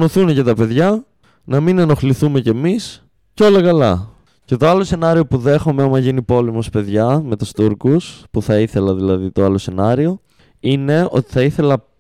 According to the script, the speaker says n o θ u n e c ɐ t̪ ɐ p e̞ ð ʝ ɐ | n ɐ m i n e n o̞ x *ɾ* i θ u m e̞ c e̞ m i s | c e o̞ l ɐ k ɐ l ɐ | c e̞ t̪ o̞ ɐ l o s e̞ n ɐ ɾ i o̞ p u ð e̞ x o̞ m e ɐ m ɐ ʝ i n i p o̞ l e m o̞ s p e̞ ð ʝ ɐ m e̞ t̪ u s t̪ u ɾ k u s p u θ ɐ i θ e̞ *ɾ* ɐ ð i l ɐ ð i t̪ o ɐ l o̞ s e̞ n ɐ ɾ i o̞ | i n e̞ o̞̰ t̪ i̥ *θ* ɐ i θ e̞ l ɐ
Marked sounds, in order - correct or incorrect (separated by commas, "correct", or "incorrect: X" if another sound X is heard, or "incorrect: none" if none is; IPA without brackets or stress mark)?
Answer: incorrect: l, incorrect: l, correct